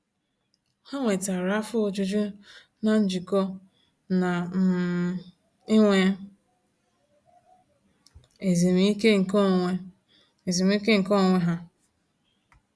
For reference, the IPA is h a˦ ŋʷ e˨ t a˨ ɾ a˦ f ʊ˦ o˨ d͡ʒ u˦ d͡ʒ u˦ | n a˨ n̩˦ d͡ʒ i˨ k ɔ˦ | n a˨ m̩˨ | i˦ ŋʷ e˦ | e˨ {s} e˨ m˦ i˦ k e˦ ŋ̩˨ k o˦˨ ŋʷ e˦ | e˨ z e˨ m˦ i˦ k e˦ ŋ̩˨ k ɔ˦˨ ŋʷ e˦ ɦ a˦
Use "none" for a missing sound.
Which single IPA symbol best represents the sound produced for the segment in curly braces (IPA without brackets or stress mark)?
z